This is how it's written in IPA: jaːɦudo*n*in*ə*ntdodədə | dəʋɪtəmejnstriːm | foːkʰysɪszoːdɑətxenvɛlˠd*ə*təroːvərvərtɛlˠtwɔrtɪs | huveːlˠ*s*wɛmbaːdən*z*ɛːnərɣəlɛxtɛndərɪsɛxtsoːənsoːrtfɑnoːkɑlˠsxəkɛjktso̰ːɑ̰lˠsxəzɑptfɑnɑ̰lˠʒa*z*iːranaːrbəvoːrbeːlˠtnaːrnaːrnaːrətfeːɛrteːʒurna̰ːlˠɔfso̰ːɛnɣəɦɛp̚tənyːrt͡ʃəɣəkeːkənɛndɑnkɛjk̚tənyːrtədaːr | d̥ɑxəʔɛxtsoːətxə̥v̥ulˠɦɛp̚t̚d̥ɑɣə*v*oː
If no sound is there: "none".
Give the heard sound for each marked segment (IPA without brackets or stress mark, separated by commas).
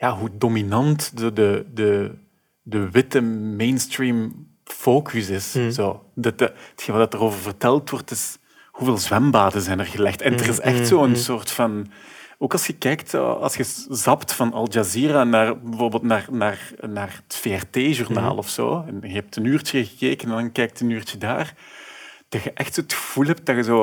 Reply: m, ɑ, ɑ, z, z, z, z